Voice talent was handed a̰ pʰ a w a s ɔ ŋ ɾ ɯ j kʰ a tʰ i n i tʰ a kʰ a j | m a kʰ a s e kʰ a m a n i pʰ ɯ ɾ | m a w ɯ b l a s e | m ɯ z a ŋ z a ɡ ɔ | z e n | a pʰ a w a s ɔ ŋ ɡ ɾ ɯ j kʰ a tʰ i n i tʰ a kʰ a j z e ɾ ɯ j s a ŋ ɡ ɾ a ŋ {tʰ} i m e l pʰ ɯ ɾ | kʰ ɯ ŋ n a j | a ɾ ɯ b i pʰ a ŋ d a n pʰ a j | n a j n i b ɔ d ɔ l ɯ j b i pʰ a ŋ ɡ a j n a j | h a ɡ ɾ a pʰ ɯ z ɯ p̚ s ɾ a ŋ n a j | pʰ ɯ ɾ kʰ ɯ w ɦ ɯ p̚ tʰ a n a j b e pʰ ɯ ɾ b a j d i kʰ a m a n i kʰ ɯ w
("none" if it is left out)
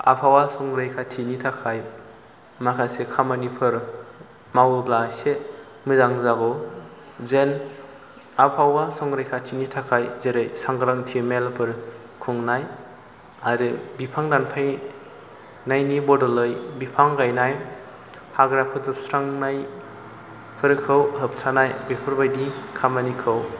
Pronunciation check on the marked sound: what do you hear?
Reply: tʰ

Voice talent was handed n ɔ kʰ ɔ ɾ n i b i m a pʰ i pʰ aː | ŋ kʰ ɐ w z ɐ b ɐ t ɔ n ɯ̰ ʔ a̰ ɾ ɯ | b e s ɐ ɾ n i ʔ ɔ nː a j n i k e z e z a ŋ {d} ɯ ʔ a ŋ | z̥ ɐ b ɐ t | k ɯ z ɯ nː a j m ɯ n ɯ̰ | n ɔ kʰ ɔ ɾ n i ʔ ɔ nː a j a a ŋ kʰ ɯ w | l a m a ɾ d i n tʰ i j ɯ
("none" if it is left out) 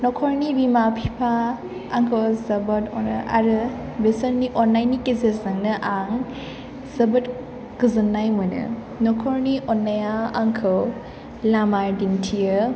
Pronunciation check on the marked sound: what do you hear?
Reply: n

